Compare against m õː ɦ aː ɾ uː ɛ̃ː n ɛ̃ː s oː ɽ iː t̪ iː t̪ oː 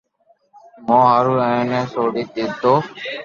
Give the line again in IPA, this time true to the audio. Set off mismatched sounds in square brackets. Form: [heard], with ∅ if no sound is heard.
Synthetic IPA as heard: m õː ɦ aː ɾ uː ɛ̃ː n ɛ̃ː s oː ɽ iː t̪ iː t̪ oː

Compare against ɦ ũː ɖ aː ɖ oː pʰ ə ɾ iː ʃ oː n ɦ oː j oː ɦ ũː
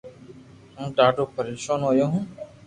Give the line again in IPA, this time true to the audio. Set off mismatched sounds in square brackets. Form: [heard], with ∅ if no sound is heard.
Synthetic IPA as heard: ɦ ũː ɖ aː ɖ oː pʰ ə ɾ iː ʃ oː n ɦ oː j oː ɦ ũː

